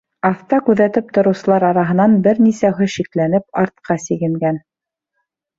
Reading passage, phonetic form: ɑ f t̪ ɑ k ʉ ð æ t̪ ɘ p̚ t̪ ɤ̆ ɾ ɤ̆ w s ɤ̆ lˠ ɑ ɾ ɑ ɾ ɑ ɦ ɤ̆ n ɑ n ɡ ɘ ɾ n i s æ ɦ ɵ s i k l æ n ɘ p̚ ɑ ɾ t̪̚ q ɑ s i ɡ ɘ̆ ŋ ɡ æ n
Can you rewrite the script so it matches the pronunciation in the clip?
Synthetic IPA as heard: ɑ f t̪ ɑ k ʉ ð æ t̪ ɘ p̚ t̪ ŏ ɾ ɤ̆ w s ɤ̆ lˠ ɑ ɾ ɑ ɾ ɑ ɦ ɤ̆ n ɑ n b ɘ ɾ n i s æ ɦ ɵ ʃ i k l æ n ɘ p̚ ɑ ɾ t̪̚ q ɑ s i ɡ ɘ̆ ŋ ɡ æ n